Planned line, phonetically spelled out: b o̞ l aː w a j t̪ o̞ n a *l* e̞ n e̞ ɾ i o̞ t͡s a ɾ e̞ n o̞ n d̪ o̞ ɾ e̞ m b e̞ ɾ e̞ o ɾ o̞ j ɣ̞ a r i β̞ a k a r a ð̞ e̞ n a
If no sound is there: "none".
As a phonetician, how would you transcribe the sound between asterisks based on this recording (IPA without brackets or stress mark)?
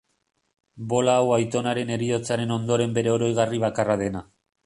ɾ